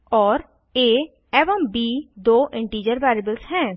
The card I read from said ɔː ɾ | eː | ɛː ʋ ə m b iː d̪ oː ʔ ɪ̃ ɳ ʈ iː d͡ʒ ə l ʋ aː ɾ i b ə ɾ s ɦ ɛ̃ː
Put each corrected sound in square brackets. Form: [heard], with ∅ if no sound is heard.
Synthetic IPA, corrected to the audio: ɔː ɾ | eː | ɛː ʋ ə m b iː d̪ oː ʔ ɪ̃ ɳ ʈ iː d͡ʒ ə [ɾ] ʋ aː ɾ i b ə [l] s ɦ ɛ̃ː

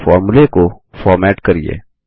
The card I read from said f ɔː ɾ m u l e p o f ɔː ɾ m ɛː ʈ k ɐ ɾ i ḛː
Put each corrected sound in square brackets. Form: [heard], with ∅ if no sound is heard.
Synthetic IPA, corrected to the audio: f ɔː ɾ m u l e [k] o f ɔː ɾ m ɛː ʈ k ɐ ɾ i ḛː

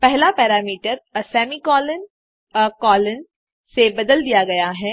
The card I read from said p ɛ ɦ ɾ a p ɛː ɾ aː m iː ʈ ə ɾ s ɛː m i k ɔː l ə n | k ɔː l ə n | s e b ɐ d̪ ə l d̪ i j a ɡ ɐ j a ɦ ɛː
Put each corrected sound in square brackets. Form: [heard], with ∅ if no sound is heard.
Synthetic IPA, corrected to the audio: p ɛ ɦ [l] a p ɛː ɾ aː m iː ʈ ə ɾ s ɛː m i k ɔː l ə n | k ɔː l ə n | s e b ɐ d̪ ə l d̪ i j a ɡ ɐ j a ɦ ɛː

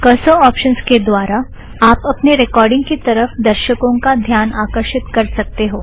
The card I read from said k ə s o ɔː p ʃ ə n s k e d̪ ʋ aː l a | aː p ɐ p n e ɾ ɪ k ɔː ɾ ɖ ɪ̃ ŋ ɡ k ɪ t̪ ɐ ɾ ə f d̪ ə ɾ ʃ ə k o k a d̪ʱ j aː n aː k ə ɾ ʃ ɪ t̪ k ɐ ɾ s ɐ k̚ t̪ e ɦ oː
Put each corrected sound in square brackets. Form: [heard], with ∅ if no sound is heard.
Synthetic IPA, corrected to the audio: k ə s o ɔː p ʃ ə n s k e d̪ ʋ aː [ɾ] a | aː p ɐ p n e ɾ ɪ k ɔː ɾ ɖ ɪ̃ ŋ ɡ k [i] t̪ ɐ ɾ ə f d̪ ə ɾ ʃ ə k [õ] k a d̪ʱ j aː n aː k ə ɾ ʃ ɪ t̪ k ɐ ɾ s ɐ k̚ t̪ e ɦ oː

